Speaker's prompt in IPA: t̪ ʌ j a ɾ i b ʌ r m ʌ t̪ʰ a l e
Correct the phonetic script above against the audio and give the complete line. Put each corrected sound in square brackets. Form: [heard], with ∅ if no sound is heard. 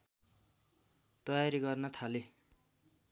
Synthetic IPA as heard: t̪ ʌ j a ɾ i [ɡ] ʌ r [n] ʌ t̪ʰ a l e